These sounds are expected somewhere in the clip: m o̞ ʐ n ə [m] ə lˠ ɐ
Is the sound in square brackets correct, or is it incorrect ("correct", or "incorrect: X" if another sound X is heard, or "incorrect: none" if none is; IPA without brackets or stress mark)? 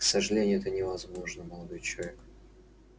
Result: correct